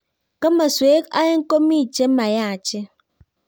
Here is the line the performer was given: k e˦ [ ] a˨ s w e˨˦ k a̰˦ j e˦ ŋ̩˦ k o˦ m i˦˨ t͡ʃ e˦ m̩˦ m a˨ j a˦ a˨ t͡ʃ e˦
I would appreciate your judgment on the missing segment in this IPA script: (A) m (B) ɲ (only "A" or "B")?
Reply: A